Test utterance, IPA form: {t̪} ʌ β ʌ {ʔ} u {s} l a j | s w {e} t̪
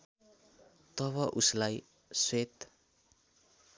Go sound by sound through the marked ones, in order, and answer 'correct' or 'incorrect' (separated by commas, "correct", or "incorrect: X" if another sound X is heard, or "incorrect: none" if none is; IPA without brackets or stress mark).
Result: correct, correct, correct, correct